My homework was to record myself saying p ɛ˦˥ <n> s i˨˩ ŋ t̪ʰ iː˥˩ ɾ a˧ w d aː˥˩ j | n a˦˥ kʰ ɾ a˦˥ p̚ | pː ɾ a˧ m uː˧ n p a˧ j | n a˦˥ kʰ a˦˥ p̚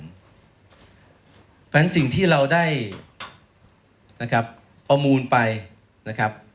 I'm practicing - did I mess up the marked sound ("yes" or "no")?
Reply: no